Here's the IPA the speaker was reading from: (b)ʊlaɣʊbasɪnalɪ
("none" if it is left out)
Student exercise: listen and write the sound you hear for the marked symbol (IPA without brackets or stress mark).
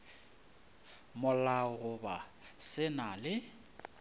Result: m